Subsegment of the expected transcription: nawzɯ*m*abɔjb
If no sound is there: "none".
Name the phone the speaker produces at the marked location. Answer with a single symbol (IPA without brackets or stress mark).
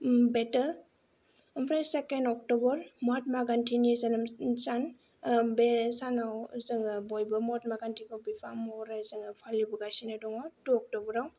ŋ